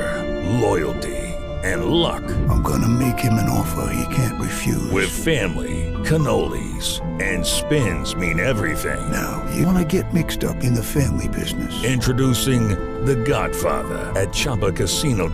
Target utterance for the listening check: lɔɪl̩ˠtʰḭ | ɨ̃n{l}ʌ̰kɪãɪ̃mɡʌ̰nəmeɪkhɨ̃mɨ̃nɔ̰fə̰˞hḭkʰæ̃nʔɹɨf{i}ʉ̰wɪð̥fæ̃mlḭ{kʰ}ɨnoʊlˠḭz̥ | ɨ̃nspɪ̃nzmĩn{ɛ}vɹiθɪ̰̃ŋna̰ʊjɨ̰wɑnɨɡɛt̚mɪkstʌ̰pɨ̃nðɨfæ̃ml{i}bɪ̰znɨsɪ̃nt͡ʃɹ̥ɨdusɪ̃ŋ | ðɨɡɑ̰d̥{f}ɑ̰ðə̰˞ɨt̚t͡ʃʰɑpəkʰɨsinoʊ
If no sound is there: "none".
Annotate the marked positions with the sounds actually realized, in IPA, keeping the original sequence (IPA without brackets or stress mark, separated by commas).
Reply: l, j, kʰ, ɛ, i, f